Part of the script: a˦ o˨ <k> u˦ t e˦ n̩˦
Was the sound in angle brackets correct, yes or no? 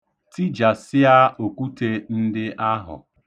yes